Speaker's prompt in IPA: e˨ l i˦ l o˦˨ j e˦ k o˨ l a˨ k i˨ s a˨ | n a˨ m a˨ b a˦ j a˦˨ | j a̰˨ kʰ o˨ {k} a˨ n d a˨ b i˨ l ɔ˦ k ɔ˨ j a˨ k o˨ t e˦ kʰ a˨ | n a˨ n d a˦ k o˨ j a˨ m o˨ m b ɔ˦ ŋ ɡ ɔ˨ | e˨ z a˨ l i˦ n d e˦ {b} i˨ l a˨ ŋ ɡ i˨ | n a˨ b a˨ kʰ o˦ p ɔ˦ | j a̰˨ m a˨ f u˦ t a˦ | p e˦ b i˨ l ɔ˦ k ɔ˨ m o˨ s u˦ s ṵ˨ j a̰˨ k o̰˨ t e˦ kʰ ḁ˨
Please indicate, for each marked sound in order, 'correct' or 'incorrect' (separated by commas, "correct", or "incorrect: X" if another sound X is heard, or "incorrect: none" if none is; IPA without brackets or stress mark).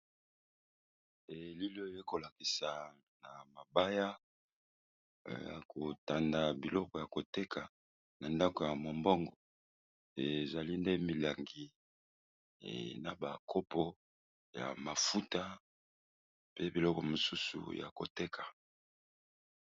incorrect: t, incorrect: m